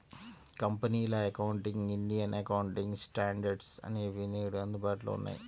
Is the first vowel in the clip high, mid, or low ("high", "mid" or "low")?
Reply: low